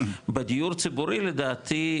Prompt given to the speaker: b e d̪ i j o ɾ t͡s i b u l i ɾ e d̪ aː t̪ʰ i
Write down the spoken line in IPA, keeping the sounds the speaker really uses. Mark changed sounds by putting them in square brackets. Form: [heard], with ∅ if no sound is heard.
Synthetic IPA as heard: b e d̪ i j [u] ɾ t͡s i b u [ɾ] i [l] e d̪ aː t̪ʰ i